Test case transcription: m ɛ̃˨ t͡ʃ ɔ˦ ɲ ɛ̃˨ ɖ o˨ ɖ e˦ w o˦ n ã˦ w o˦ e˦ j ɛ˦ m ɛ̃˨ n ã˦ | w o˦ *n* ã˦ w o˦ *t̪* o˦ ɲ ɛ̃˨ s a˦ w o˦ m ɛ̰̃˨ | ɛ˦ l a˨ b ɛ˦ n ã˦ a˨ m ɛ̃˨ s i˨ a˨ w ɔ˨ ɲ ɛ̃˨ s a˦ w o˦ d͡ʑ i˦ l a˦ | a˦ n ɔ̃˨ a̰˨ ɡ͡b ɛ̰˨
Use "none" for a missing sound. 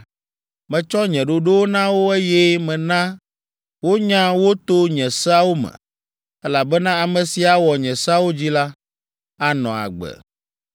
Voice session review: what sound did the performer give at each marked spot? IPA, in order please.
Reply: ɲ, t̪

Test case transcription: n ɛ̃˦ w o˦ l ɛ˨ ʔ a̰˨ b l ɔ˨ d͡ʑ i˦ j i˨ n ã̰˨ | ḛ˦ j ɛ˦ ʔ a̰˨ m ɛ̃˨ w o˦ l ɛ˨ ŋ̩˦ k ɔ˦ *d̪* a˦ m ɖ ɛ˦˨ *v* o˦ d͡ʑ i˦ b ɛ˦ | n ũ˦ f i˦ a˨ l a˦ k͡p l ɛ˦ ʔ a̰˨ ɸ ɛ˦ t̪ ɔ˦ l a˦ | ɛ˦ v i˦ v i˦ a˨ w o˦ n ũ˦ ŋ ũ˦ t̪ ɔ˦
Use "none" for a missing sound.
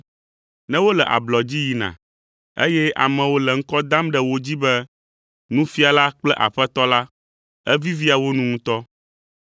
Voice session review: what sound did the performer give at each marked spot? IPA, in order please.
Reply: d̪, w

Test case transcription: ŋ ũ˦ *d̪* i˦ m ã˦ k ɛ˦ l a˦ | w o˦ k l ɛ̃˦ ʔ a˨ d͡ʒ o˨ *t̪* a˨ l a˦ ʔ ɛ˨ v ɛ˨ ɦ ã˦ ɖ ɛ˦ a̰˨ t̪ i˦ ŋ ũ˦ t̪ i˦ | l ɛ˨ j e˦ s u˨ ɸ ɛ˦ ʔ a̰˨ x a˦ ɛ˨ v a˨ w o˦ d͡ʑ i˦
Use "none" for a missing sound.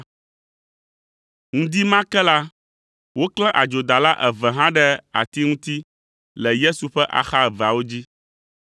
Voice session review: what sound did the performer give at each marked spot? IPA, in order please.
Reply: d̪, d̪

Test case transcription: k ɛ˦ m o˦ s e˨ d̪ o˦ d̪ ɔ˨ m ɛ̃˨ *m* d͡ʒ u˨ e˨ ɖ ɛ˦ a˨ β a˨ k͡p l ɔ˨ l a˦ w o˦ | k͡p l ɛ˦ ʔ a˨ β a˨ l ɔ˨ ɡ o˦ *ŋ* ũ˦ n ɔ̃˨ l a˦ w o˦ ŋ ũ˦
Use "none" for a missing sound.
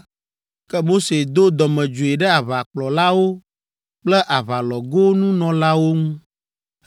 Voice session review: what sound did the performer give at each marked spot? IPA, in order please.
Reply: none, n

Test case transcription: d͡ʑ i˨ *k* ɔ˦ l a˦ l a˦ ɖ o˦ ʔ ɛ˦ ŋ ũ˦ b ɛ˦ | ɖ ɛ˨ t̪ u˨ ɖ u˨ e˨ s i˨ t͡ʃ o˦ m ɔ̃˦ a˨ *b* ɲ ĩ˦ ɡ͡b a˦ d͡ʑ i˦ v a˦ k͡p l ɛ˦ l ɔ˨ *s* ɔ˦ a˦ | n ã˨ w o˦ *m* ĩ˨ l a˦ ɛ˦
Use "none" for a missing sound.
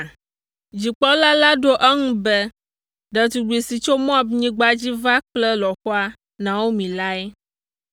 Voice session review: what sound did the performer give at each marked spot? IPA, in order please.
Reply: k͡p, b, x, m

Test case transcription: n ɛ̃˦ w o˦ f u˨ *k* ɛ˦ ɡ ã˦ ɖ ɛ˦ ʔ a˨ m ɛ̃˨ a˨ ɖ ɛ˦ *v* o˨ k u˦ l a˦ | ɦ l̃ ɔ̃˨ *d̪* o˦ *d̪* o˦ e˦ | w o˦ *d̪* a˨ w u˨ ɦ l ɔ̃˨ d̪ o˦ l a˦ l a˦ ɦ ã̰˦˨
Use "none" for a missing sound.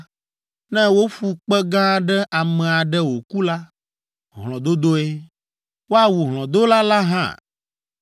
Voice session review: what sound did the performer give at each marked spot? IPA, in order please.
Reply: k͡p, w, d̪, d̪, none

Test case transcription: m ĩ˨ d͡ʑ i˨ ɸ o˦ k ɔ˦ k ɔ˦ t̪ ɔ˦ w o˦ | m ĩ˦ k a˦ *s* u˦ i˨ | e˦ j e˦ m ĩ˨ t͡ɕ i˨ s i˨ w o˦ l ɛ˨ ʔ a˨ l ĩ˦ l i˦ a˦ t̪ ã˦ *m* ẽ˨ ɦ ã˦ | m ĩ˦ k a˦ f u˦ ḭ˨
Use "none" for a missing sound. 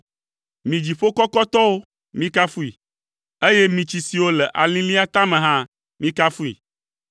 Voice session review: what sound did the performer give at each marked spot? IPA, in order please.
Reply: f, m

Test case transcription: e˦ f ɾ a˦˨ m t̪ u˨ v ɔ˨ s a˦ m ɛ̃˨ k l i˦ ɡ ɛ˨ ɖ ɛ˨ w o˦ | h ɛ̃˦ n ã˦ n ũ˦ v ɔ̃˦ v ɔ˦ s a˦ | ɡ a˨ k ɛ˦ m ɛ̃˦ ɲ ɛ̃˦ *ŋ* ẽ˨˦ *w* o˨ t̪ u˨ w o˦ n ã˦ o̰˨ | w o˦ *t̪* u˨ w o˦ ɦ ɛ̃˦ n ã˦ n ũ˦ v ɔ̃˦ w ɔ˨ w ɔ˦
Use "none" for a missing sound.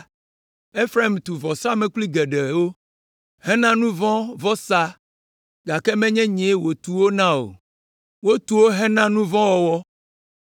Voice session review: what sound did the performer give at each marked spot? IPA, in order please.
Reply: ɲ, w, t̪

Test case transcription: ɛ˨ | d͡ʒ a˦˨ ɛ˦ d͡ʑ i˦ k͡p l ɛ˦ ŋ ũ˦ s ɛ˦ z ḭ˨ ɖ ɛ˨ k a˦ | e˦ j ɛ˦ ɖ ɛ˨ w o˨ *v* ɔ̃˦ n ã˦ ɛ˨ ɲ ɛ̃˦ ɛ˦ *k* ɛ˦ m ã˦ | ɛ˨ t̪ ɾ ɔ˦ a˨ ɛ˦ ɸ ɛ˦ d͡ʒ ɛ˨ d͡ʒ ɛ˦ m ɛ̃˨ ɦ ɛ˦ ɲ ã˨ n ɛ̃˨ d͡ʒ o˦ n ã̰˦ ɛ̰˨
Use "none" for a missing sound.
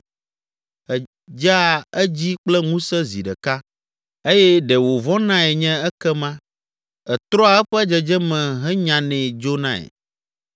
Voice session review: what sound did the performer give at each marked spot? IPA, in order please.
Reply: v, k

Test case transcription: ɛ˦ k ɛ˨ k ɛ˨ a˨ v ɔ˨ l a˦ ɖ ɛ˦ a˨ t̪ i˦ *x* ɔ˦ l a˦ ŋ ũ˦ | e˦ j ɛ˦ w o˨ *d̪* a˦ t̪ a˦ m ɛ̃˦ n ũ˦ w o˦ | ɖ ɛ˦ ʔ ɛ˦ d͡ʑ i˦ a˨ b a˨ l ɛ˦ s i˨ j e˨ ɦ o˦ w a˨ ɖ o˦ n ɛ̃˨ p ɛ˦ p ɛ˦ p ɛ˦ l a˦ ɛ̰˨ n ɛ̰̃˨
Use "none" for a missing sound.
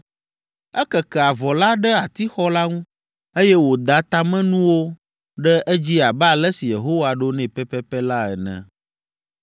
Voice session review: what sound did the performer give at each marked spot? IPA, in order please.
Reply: x, d̪

